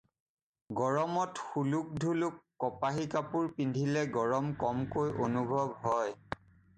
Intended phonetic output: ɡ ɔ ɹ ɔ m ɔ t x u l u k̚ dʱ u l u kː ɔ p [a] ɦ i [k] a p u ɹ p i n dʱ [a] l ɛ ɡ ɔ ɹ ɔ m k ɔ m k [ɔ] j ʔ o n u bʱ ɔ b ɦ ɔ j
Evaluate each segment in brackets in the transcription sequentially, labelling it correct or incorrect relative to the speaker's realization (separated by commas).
correct, correct, incorrect, incorrect